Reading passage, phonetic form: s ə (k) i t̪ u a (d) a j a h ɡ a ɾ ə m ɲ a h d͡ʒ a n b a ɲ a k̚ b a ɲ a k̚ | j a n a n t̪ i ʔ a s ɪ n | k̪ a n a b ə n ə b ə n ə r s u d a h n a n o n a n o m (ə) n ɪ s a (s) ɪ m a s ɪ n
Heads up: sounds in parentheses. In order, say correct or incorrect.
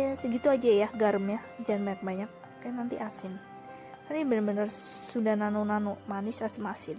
incorrect: ɡ, incorrect: d͡ʒ, incorrect: a, correct

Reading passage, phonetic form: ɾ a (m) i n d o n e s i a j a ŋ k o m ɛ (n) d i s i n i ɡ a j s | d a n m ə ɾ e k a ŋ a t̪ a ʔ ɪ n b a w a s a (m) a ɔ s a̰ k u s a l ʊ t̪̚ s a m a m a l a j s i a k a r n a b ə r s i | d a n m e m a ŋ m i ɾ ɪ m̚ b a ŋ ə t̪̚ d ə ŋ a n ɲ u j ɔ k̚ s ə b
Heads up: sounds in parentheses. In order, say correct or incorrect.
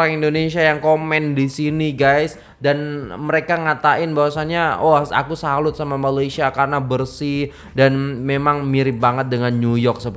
incorrect: ŋ, correct, incorrect: ɲ

